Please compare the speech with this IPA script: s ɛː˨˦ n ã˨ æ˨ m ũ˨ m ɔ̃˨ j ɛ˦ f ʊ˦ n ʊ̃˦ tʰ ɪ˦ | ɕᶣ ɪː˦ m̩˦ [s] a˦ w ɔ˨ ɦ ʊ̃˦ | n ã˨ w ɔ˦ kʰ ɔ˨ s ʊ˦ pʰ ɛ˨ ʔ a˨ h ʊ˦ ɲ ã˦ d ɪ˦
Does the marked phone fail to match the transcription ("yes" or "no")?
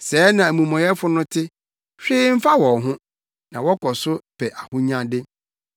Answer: yes